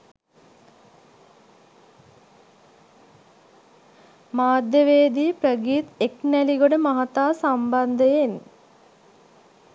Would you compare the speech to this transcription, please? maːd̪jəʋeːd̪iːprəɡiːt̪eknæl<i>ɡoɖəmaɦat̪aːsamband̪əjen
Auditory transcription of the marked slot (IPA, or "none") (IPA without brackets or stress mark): i